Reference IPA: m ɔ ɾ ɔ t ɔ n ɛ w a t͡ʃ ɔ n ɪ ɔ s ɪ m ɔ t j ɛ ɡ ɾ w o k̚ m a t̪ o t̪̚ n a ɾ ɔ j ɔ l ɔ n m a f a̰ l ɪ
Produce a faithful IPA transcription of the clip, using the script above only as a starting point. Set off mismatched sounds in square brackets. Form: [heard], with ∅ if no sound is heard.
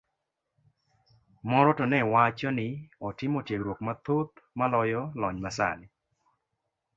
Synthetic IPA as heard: m ɔ ɾ ɔ t ɔ n ɛ w a t͡ʃ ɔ n ɪ ɔ [t] ɪ m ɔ t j [e] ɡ ɾ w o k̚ m a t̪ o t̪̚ [m] a [l] ɔ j ɔ l ɔ [ɲ] m a [s] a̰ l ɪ